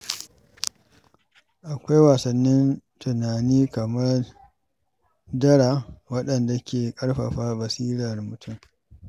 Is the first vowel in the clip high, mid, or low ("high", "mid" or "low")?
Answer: low